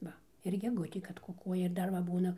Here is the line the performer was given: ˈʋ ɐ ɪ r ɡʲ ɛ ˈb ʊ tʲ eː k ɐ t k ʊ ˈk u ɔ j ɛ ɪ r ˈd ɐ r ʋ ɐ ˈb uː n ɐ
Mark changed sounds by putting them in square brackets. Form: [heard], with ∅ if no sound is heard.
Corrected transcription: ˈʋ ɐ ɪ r ɡʲ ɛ [ˈɡ] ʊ tʲ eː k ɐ t k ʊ ˈk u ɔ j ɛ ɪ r ˈd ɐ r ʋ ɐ ˈb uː n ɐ

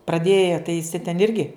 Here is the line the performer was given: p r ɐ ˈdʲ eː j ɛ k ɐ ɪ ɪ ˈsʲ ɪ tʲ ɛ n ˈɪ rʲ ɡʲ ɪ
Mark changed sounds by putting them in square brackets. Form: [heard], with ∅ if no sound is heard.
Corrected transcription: p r ɐ ˈdʲ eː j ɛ [t] ɐ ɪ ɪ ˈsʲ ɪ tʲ ɛ n ˈɪ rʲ ɡʲ ɪ

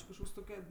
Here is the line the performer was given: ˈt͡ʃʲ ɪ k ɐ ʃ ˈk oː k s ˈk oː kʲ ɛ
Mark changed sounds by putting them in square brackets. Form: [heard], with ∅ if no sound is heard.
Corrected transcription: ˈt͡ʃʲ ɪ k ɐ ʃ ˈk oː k s [ˈt] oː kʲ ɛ

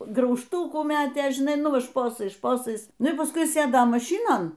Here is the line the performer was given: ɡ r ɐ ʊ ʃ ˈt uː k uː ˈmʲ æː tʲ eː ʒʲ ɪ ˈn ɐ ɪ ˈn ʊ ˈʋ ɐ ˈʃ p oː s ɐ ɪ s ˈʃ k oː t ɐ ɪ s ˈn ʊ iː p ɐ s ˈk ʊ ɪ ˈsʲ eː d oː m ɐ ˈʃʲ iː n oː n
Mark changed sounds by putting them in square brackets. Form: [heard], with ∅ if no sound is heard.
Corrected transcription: ɡ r ɐ ʊ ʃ ˈt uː k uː ˈmʲ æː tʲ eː ʒʲ ɪ ˈn ɐ ɪ ˈn ʊ ˈʋ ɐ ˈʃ p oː s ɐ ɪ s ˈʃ [p] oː [s] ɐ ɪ s ˈn ʊ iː p ɐ s ˈk ʊ ɪ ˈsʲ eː d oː m ɐ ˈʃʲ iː n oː n

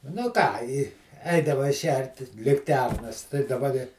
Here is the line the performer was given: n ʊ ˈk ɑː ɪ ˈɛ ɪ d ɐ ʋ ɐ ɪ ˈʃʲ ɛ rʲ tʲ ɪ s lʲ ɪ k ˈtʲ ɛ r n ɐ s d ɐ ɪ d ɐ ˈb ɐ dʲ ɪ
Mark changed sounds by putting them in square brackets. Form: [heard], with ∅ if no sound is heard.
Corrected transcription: n ʊ ˈk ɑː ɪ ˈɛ ɪ d ɐ ʋ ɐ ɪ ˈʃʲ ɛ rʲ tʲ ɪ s lʲ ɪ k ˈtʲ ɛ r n ɐ s [t] ɐ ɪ d ɐ ˈb ɐ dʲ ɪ

